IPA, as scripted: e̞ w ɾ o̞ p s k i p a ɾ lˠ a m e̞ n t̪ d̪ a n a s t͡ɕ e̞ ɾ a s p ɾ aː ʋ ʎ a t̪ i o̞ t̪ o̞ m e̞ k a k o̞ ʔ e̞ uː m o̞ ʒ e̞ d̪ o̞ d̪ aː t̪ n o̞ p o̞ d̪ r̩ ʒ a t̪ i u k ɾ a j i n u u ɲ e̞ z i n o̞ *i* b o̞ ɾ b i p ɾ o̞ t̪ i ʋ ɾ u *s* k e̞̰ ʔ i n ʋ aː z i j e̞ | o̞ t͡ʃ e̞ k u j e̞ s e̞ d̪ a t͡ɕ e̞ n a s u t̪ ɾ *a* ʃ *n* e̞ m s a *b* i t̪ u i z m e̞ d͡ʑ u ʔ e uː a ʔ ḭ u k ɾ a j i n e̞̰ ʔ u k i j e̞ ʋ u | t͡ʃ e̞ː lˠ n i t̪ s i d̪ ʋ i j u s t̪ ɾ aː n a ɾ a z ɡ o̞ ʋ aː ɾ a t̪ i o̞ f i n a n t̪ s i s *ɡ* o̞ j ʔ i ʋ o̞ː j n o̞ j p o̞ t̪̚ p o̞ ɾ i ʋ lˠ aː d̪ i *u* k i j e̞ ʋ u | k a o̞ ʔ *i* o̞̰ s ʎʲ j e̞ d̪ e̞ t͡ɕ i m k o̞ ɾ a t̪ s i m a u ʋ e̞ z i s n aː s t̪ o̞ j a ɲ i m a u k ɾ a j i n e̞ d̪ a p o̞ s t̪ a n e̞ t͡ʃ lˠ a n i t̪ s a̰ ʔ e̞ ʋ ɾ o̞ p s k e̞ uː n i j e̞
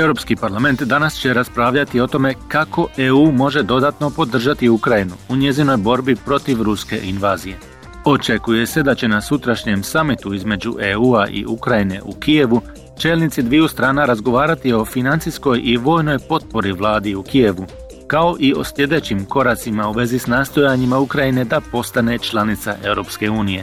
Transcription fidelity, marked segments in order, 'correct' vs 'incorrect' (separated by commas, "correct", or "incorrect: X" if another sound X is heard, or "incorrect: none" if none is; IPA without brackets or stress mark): incorrect: j, correct, correct, incorrect: ɲ, incorrect: m, incorrect: k, correct, correct